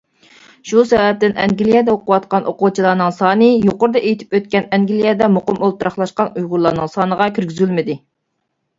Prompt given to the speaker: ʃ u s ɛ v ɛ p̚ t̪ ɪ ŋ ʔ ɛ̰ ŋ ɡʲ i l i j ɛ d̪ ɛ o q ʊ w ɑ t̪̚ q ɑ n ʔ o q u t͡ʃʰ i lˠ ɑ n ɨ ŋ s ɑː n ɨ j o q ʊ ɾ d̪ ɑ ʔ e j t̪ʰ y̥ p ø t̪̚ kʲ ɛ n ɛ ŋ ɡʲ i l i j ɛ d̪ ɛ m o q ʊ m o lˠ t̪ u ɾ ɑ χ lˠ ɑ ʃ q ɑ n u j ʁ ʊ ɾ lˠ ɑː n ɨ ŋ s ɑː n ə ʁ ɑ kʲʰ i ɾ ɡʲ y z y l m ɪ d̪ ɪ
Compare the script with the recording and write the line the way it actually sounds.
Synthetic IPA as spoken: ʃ u s ɛ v ɛ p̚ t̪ ɪ n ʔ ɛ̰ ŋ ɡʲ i l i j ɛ d̪ ɛ o q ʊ w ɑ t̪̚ q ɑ n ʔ o q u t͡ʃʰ i lˠ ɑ n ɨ ŋ s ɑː n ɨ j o q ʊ ɾ d̪ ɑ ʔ e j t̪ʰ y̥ p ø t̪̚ kʲ ɛ n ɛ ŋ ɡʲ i l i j ɛ d̪ ɛ m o q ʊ m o lˠ t̪ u ɾ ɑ χ lˠ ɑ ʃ q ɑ n u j ʁ ʊ ɾ lˠ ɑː n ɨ ŋ s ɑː n ə ʁ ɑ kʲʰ y ɾ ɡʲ y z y l m ɪ d̪ ɪ